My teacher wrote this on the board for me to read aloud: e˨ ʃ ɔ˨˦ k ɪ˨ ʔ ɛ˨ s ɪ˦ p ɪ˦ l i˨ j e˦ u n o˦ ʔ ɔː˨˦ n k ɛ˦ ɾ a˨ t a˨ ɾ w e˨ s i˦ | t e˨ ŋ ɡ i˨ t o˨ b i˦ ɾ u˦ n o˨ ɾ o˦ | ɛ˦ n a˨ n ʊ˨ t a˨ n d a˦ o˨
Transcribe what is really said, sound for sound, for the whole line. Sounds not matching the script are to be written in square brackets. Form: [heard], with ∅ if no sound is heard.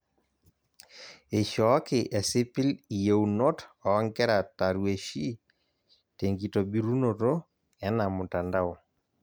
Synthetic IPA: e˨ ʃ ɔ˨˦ k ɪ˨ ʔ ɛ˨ s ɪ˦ p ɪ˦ l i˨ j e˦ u n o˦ [t] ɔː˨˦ [ŋ] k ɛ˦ ɾ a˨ t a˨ ɾ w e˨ [ʃ] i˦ | t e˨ ŋ ɡ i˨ t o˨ b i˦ ɾ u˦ n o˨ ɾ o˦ | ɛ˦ n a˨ [m] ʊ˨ t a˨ n d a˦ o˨